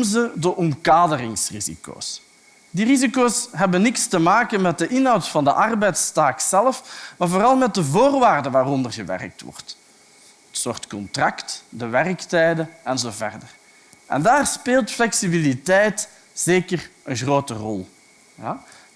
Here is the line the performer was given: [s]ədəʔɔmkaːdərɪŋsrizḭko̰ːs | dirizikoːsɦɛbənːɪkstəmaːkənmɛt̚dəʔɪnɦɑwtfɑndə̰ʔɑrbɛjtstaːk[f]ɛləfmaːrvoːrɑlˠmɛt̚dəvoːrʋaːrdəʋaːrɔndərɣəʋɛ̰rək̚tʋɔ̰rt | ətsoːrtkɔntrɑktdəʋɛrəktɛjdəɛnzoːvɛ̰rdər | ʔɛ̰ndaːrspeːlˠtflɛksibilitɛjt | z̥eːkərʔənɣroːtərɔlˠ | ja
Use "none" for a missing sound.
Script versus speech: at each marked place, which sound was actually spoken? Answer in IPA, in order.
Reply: z, s

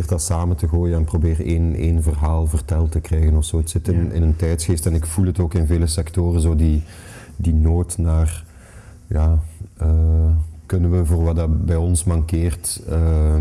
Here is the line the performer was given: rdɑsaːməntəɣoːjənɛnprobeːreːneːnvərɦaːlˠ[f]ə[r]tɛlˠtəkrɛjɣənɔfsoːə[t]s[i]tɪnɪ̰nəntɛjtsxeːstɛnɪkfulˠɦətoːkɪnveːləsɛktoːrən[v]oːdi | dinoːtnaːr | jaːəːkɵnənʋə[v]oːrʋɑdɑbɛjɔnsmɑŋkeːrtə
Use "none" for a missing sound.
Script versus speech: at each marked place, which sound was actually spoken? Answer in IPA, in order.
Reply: v, r, t, ɪ, z, v

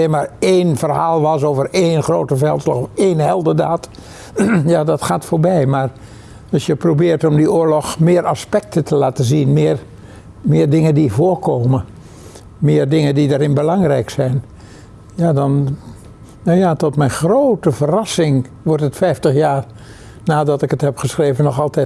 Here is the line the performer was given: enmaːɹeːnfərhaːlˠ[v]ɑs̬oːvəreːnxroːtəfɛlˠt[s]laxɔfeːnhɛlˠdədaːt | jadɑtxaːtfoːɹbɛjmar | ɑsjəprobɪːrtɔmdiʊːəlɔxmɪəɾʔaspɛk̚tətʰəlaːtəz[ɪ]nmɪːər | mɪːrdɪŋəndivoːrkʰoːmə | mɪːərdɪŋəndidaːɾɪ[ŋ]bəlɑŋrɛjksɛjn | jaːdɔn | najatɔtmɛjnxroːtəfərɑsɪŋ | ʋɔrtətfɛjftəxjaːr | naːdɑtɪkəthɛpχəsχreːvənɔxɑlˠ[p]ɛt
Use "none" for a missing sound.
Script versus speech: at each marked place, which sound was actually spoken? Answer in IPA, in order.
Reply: ʋ, s, i, n, t

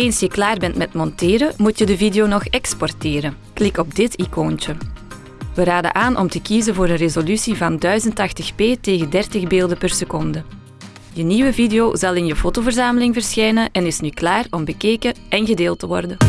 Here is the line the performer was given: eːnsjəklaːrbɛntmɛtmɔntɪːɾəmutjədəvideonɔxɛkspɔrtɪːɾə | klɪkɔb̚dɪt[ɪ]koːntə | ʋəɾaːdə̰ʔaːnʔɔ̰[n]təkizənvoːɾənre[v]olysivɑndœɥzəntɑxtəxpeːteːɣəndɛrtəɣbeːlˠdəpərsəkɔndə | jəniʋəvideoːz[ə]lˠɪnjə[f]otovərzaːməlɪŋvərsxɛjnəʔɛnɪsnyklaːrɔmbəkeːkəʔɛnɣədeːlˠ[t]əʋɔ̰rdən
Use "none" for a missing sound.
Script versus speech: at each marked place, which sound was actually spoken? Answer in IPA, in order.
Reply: i, m, z, ɑ, f, t

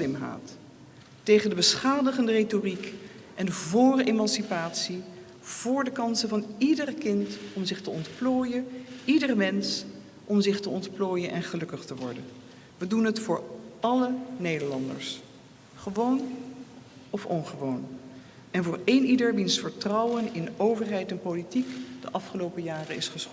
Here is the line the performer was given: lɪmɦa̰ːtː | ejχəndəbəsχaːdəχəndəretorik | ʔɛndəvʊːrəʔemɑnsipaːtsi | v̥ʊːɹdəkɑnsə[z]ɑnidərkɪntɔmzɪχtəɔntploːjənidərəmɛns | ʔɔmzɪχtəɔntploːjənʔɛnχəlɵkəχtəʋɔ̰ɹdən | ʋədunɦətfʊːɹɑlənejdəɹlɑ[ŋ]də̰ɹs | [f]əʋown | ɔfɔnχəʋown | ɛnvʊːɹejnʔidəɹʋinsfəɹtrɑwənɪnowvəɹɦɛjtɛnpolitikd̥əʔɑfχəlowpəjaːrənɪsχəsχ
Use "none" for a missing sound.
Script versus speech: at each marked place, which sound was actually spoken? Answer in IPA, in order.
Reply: v, n, χ

